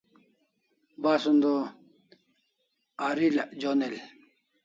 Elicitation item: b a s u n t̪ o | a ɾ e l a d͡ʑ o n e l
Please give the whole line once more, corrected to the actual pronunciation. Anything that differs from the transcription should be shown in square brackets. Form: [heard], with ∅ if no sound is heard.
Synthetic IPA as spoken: b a s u n [d̪] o | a ɾ [i] l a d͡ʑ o n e l